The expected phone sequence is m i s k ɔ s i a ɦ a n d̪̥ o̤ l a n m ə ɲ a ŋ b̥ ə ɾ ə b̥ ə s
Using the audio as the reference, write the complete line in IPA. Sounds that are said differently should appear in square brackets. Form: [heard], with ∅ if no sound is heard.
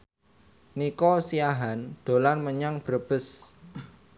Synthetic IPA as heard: [n] i [∅] k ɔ s i a ɦ a n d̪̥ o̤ l a n m ə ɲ a ŋ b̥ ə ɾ ə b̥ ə s